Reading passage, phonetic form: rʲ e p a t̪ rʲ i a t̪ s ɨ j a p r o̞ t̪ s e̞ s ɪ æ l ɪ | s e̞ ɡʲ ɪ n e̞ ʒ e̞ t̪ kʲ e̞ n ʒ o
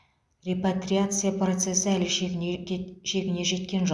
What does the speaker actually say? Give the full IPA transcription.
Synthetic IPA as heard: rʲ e p a t̪ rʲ i a t̪ s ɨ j a p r o̞ t̪ s e̞ s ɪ æ l ɪ | ʃ e̞ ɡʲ ɪ n e̞ ʒ e̞ t̪ kʲ e̞ n ʒ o